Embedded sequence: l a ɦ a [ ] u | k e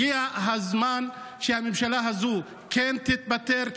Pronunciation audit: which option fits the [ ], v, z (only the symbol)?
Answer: z